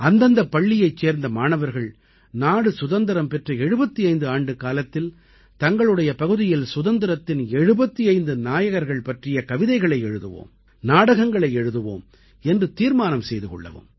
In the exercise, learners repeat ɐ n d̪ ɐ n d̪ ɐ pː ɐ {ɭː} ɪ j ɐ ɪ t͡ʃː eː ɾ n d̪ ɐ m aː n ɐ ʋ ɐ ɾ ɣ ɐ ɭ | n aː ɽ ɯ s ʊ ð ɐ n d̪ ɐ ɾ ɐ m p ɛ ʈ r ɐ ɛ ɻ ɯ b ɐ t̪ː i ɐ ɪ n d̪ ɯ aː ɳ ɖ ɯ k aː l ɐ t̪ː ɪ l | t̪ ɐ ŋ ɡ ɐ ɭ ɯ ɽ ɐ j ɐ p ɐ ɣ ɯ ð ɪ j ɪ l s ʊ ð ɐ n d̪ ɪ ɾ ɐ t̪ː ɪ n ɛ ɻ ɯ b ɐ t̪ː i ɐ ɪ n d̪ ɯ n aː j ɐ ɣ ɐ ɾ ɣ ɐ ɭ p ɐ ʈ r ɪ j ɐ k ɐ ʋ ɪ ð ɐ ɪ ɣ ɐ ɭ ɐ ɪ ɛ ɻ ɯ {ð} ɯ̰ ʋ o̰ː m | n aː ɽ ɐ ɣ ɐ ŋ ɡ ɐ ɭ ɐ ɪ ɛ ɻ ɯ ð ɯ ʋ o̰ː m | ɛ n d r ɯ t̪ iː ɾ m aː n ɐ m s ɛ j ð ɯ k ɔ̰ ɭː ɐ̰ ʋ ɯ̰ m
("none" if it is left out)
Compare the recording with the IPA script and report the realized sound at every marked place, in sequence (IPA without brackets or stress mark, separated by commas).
ɭː, ð